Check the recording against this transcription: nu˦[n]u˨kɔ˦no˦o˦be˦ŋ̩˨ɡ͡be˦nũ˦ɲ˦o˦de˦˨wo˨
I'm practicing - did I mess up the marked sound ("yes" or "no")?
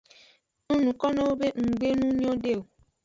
no